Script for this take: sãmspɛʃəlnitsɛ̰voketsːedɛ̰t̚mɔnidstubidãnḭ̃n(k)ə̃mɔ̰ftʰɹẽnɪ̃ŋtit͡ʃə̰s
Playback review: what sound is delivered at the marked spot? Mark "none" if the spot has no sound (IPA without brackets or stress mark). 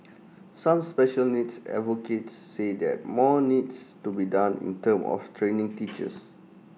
t